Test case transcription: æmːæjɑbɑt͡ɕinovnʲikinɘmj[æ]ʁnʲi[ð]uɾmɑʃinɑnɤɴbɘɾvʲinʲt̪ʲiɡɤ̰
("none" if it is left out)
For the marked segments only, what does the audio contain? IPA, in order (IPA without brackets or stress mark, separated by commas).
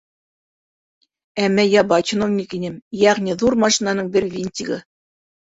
æ, ð